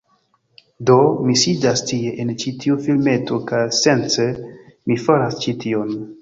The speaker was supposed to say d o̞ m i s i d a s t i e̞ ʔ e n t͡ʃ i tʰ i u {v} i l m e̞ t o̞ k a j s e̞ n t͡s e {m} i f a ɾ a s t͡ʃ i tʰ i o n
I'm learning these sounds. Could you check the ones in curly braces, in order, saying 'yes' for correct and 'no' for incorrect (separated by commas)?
no, yes